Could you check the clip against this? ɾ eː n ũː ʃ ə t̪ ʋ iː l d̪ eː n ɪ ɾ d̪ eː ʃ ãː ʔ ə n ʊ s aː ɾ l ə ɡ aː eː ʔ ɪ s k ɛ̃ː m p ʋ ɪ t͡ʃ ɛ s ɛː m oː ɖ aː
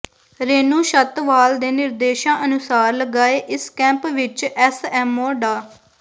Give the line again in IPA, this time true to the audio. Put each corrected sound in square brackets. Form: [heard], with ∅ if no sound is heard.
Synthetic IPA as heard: ɾ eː n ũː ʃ ə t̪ ʋ [aː] l d̪ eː n ɪ ɾ d̪ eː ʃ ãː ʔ ə n ʊ s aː ɾ l ə ɡ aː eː ʔ ɪ s k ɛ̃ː m p ʋ ɪ t͡ʃ ɛ s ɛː m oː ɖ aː

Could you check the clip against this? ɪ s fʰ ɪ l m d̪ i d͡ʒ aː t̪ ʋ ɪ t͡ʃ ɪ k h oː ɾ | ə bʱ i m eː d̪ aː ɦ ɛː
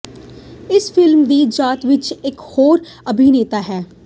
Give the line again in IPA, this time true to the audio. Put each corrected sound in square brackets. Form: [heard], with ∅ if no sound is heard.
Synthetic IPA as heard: ɪ s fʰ ɪ l m d̪ [iː] d͡ʒ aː t̪ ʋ ɪ t͡ʃ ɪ k h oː ɾ | ə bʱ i [n] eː [t̪] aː ɦ ɛː

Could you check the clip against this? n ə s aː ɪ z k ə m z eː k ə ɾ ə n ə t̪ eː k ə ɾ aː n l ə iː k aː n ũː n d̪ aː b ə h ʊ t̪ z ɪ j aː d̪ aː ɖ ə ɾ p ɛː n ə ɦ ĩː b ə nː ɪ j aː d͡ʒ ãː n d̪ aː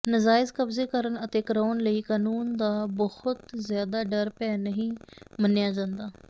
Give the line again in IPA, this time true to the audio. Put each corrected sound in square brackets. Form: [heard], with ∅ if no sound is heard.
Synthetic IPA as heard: n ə [z] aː ɪ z k ə [b] z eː k ə ɾ ə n ə t̪ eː k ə ɾ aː n l ə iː k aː n [uː] n d̪ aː b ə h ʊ t̪ z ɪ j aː d̪ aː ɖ ə ɾ p ɛː n ə ɦ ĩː [m] ə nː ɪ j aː d͡ʒ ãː n d̪ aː

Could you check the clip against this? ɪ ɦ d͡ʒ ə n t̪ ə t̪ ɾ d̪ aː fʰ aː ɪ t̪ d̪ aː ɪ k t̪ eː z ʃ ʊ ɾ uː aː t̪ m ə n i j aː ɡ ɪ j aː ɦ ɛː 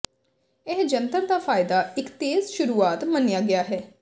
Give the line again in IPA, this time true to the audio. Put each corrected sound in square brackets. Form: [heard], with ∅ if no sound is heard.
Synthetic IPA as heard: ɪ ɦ d͡ʒ ə n t̪ ə [∅] ɾ d̪ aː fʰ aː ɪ [∅] d̪ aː ɪ k t̪ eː z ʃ ʊ ɾ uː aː t̪ m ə n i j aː ɡ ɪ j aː ɦ ɛː

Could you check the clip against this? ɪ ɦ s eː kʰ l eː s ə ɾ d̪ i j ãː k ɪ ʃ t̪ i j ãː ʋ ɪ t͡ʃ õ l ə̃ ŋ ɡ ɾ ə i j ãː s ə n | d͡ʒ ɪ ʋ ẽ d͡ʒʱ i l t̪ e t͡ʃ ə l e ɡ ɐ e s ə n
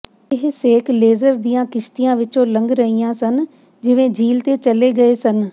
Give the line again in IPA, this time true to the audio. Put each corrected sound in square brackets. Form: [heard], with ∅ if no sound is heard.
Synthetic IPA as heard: ɪ ɦ s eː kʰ l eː [z] ə ɾ d̪ i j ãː k ɪ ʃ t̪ i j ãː ʋ ɪ t͡ʃ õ l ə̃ ŋ ɡ ɾ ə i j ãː s ə n | d͡ʒ ɪ ʋ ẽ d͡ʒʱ [iː] l t̪ e t͡ʃ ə l e ɡ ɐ e s ə n

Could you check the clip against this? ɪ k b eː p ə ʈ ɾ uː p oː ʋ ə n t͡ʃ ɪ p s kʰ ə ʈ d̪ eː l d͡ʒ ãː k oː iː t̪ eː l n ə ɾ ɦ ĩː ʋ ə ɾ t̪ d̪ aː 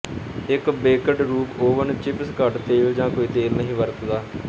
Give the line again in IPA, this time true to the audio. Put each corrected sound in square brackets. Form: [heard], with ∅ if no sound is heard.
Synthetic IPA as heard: ɪ k b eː [k] ə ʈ ɾ uː p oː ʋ ə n t͡ʃ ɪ p s [k] ə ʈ [t̪] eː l d͡ʒ ãː k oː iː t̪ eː l n ə [∅] ɦ ĩː ʋ ə ɾ t̪ d̪ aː

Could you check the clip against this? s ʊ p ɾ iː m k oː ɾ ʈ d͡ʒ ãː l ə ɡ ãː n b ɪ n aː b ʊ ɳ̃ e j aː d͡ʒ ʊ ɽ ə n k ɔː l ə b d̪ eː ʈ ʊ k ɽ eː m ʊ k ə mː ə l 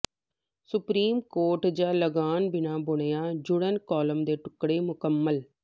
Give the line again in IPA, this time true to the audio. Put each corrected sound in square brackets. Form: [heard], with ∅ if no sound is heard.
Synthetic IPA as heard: s ʊ p ɾ iː m k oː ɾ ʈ d͡ʒ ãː l ə ɡ [aː] n b ɪ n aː b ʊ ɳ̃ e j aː d͡ʒ ʊ ɽ ə n k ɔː l ə [m] d̪ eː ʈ ʊ k ɽ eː m ʊ k ə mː ə l

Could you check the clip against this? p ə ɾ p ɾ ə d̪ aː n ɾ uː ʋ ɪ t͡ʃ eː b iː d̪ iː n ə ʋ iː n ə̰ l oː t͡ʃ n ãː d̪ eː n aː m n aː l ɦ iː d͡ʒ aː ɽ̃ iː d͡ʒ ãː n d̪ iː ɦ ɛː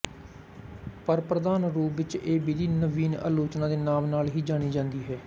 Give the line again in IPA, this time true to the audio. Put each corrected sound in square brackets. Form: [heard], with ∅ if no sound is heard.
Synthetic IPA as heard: p ə ɾ p ɾ ə d̪ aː n ɾ uː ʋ ɪ t͡ʃ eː b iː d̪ iː n ə ʋ iː n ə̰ l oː t͡ʃ n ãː d̪ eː n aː m n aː l ɦ iː d͡ʒ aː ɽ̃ iː d͡ʒ ãː n d̪ iː ɦ ɛː

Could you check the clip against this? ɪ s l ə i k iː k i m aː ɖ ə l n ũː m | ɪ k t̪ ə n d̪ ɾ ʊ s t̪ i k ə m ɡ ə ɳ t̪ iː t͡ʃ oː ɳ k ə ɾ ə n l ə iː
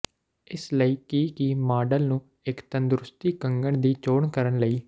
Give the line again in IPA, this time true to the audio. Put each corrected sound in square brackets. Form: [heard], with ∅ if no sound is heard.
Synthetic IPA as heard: ɪ s l ə [iː] k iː k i m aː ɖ ə l n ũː [∅] | ɪ k t̪ ə n d̪ ɾ ʊ s t̪ [iː] k ə [ŋ] ɡ ə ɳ [d̪] iː t͡ʃ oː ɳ k ə ɾ ə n l ə iː

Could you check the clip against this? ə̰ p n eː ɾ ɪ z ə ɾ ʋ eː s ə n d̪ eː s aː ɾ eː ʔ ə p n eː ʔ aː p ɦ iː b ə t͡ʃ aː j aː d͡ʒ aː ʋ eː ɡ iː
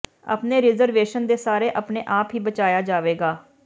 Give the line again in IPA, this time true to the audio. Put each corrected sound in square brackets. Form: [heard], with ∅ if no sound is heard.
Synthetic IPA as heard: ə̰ p n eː ɾ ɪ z ə ɾ ʋ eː [ʃ] ə n d̪ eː s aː ɾ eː ʔ ə p n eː ʔ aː p ɦ iː b ə t͡ʃ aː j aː d͡ʒ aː ʋ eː ɡ [aː]

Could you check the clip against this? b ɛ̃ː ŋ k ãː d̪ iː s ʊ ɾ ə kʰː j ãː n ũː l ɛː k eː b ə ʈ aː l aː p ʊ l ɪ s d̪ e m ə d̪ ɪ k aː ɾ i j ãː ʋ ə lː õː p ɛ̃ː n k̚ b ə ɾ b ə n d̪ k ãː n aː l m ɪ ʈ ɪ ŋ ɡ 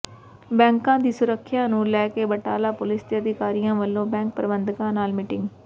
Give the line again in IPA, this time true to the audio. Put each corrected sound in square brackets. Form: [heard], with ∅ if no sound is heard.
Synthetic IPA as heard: b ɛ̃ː ŋ k ãː d̪ iː s ʊ ɾ ə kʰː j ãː n ũː l ɛː k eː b ə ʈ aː l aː p ʊ l ɪ s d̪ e [∅] ə d̪ ɪ k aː ɾ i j ãː ʋ ə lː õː [b] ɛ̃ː [ŋ] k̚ [p] ə ɾ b ə n d̪ k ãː n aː l m ɪ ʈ ɪ ŋ ɡ

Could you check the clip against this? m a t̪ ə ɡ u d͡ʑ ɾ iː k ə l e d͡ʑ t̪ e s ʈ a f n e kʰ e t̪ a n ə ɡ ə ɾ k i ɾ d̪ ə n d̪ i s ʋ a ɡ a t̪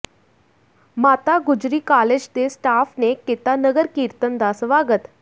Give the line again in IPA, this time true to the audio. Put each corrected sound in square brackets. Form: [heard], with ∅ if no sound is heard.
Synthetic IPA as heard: m a t̪ [a] ɡ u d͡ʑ ɾ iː k [a] l e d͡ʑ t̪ e s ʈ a f n e [k] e t̪ a n ə ɡ ə ɾ k i ɾ [t̪] ə n d̪ [a] s ʋ a ɡ [ə] t̪

